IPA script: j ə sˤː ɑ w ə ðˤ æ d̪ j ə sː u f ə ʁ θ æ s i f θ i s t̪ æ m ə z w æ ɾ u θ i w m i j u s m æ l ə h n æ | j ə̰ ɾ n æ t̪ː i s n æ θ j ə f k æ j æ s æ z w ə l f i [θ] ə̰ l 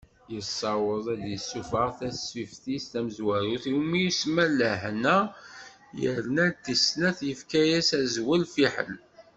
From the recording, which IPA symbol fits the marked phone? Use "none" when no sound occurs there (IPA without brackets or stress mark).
ħ